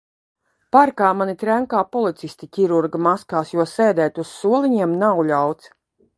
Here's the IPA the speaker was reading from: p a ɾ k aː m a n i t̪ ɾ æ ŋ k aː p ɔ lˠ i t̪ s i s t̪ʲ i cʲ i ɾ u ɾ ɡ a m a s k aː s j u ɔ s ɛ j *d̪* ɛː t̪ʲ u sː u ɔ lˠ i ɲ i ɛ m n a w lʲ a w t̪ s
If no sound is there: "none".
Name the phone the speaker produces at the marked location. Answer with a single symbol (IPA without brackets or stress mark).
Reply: d̪